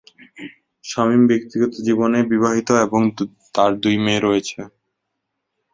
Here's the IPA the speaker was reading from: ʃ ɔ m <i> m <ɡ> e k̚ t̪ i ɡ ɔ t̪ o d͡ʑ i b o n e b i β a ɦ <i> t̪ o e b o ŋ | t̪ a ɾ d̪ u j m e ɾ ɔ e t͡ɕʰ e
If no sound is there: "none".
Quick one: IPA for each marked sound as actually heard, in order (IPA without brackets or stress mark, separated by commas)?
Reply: i, b, i